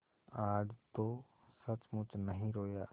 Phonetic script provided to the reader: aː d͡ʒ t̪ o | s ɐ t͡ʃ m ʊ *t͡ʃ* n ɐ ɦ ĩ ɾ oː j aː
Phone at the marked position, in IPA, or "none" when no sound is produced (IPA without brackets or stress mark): t͡ʃ